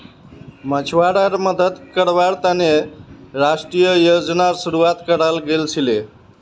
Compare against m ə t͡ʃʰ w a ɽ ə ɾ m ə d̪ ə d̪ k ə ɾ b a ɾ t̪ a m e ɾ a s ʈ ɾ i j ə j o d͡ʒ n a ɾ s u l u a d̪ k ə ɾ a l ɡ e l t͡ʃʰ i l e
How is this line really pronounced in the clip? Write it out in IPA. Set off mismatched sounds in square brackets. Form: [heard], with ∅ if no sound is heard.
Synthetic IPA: m ə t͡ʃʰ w a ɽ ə ɾ m ə d̪ ə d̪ k ə ɾ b a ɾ t̪ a [n] e ɾ a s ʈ ɾ i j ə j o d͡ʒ n a ɾ s u [ɾ] u a [t̪] k ə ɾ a l ɡ e l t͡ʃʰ i l e